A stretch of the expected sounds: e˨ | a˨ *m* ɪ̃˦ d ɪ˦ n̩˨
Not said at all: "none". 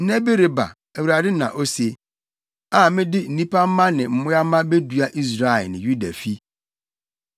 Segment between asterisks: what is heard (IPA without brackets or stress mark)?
m